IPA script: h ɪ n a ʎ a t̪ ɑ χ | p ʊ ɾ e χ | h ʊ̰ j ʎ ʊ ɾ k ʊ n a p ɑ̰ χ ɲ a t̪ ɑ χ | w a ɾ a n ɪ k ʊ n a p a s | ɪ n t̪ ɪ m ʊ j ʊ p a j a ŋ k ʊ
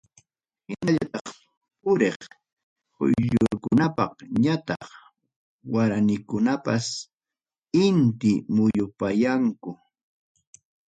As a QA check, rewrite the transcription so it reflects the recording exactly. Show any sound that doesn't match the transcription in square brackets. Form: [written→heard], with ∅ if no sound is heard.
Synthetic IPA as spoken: h ɪ n a ʎ a t̪ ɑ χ | p ʊ ɾ e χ | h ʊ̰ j ʎ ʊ ɾ k ʊ n a p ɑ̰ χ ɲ a t̪ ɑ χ | w a ɾ a n ɪ k ʊ n a p a s | ɪ n t̪ ɪ m ʊ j ʊ p a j a ŋ k ʊ